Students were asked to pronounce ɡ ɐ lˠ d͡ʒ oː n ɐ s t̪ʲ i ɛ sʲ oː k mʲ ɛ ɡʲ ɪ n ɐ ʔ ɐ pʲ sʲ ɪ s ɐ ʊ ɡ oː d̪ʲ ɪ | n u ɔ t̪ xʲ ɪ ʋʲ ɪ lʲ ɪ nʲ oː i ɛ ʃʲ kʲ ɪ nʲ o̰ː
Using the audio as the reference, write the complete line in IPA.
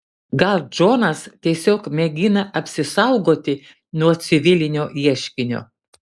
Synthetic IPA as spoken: ɡ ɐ lˠ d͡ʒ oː n ɐ s t̪ʲ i ɛ sʲ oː k mʲ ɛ ɡʲ ɪ n ɐ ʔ ɐ pʲ sʲ ɪ s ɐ ʊ ɡ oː t̪ʲ ɪ | n u ɔ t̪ sʲ ɪ ʋʲ ɪ lʲ ɪ nʲ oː i ɛ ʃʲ kʲ ɪ nʲ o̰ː

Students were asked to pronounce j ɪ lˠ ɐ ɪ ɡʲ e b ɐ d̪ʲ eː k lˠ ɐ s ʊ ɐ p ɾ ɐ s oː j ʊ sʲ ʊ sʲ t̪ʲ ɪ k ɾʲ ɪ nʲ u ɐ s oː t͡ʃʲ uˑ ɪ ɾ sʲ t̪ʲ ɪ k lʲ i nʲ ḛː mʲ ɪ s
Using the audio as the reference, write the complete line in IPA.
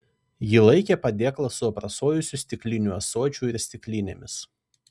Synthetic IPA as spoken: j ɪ lˠ ɐ ɪ kʲ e p ɐ d̪ʲ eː k lˠ ɐ s ʊ ɐ p ɾ ɐ s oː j ʊ sʲ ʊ sʲ t̪ʲ ɪ k lʲ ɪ nʲ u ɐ s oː t͡ʃʲ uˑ ɪ ɾ sʲ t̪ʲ ɪ k lʲ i nʲ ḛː mʲ ɪ s

